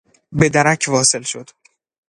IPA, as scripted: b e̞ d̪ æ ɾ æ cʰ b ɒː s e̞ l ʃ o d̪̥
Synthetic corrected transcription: b e̞ d̪ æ ɾ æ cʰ v ɒː s e̞ l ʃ o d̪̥